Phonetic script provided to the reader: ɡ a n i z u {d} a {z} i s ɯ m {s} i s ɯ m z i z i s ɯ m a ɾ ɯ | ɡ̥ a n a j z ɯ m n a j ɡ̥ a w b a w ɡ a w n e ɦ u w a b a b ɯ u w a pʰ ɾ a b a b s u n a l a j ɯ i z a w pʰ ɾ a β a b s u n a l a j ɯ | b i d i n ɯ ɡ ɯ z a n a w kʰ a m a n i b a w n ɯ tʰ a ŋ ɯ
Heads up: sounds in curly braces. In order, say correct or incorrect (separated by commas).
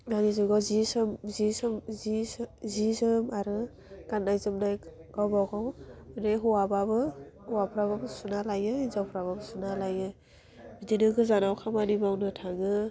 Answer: incorrect, correct, incorrect